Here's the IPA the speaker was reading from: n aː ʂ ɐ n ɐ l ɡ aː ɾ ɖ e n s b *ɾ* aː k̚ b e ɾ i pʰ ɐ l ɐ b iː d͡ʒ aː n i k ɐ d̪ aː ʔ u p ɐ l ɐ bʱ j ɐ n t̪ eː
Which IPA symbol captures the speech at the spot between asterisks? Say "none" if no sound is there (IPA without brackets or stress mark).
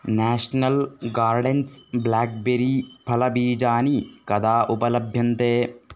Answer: l